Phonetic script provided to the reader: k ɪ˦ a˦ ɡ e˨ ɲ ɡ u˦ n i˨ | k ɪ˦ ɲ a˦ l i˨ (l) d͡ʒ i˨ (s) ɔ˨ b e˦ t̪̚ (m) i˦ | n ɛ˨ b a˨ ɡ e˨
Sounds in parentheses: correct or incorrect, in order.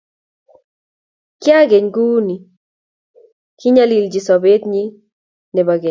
correct, correct, incorrect: ɲ

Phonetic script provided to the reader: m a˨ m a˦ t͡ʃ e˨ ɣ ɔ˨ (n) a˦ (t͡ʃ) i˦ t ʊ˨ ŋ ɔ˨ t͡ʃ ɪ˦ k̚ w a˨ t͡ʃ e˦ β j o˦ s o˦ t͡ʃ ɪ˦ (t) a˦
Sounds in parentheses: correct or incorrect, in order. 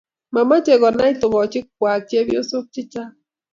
correct, incorrect: none, incorrect: t͡ʃ

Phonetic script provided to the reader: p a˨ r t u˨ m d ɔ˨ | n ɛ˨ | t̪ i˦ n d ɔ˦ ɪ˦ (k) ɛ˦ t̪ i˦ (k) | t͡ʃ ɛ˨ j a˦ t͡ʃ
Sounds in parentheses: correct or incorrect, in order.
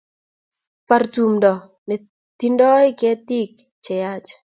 correct, correct

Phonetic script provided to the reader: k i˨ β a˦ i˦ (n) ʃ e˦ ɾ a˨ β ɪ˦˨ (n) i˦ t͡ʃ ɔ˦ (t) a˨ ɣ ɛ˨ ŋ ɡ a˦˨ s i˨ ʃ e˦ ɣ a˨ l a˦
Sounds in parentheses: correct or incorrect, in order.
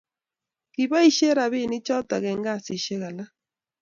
incorrect: none, correct, correct

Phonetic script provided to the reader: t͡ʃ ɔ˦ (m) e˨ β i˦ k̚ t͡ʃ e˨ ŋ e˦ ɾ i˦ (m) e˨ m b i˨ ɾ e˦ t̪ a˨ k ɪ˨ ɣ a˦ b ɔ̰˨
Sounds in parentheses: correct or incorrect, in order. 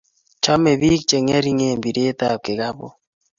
correct, incorrect: ŋ

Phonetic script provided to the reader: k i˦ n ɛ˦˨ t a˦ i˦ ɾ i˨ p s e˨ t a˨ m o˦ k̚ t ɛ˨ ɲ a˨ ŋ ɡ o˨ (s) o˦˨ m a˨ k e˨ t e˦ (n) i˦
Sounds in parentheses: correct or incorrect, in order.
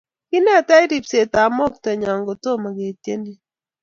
incorrect: t, correct

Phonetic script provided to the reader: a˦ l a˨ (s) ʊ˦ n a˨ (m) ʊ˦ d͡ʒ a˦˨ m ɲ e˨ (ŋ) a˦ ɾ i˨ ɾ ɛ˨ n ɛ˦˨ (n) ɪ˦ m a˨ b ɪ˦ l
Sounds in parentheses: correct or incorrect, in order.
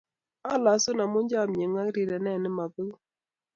correct, correct, correct, correct

